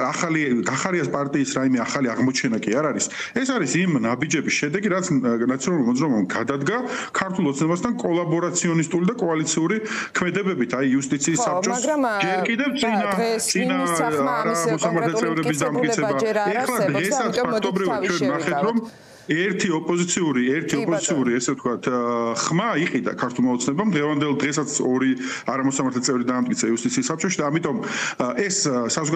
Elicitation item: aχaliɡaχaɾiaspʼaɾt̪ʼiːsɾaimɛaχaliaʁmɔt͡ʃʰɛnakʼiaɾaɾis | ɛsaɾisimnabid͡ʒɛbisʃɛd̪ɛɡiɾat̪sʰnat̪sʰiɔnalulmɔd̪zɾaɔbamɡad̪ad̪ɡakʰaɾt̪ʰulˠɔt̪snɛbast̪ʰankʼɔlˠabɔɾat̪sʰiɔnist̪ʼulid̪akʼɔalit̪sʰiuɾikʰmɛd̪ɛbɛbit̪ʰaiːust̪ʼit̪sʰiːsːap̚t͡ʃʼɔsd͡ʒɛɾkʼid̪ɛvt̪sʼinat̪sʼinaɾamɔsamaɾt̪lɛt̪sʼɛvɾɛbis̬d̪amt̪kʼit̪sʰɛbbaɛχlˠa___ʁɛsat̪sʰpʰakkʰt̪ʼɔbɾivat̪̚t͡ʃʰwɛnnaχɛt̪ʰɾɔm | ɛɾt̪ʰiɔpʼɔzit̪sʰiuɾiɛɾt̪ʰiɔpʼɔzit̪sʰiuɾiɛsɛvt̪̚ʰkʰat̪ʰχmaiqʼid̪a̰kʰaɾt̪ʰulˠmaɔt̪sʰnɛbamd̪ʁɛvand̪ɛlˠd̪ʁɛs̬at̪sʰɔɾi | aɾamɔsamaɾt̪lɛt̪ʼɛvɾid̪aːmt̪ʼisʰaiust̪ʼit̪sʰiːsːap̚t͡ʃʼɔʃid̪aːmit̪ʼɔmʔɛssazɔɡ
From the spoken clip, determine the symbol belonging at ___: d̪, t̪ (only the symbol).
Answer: d̪